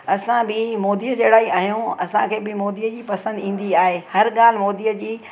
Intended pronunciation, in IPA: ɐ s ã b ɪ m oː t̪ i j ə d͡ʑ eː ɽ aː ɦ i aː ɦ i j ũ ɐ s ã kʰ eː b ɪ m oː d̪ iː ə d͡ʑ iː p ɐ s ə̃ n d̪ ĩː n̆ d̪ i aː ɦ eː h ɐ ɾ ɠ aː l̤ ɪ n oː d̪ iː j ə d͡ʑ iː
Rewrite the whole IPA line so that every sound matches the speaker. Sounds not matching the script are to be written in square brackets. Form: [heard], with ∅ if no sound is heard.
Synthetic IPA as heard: ɐ s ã b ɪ m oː [d̪] i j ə d͡ʑ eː ɽ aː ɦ i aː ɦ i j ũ ɐ s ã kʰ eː b ɪ m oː d̪ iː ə d͡ʑ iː p ɐ s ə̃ n d̪ ĩː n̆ d̪ i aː ɦ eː h ɐ ɾ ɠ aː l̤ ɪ [m] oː d̪ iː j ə d͡ʑ iː